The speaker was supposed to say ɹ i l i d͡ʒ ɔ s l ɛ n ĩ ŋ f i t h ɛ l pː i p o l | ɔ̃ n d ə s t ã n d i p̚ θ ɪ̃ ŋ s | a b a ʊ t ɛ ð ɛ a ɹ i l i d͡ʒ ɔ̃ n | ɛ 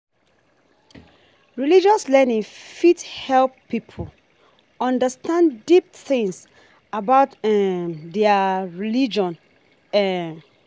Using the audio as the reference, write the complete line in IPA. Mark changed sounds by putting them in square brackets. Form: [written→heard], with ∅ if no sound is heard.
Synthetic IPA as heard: ɹ i l i d͡ʒ ɔ s l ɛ n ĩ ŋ f i t h ɛ l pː i [p→pʰ] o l | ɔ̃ n d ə s t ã n d i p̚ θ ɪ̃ ŋ s | a b a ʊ t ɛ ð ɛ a ɹ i l i d͡ʒ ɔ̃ n | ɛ